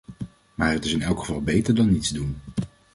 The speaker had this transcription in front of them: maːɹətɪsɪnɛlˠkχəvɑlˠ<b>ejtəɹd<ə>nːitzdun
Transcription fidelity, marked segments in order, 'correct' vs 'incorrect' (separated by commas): correct, incorrect